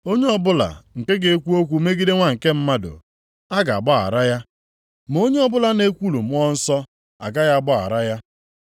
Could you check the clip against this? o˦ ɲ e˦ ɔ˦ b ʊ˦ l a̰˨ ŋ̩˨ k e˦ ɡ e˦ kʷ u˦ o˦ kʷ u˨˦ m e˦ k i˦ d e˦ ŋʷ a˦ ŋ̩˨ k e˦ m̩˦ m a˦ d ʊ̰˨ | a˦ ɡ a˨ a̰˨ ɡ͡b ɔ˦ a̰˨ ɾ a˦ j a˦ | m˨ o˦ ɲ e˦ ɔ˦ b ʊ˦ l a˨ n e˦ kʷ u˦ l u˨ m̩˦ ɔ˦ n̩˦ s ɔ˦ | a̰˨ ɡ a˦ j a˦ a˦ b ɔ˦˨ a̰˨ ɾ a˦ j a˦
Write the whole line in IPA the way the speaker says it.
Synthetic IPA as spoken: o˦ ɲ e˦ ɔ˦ b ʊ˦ l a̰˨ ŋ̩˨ k e˦ ɡ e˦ kʷ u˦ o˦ kʷ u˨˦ m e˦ ɡ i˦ d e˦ ŋʷ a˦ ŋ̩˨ k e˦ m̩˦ m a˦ d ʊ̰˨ | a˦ ɡ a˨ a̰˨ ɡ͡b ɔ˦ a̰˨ ɾ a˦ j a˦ | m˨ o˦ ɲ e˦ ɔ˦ b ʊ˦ l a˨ n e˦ kʷ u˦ l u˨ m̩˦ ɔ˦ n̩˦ s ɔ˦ | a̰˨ ɡ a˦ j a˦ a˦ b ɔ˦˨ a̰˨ ɾ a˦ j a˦